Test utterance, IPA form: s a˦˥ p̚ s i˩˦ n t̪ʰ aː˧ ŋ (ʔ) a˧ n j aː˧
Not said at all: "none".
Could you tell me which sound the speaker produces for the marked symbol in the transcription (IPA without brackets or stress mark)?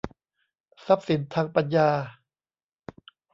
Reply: p